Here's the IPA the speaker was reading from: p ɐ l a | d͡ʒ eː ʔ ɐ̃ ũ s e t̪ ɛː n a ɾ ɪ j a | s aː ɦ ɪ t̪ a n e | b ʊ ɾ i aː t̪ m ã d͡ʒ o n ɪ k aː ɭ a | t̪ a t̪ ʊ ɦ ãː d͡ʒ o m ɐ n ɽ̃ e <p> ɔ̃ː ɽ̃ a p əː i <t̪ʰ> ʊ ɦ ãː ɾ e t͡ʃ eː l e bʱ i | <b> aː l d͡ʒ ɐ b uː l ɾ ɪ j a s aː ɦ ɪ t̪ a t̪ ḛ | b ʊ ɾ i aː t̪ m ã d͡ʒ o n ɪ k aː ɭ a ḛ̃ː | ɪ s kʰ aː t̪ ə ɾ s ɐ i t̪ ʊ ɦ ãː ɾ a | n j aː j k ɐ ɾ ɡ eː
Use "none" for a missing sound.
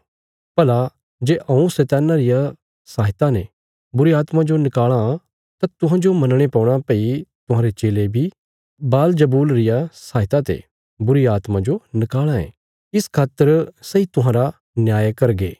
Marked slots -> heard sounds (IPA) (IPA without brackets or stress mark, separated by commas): p, t̪, b